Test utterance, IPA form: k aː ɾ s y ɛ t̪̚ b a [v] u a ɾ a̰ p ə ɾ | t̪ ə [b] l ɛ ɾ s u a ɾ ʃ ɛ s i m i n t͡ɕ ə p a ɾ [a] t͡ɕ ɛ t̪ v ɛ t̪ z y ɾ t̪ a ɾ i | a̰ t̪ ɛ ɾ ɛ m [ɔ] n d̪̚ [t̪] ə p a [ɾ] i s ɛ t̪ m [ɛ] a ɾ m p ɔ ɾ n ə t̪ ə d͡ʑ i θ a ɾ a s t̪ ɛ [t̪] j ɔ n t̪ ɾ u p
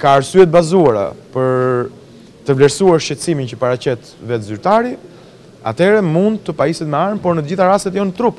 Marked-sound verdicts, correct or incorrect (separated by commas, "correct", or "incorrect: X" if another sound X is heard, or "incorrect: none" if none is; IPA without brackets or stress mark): incorrect: z, incorrect: v, correct, incorrect: u, correct, incorrect: none, correct, correct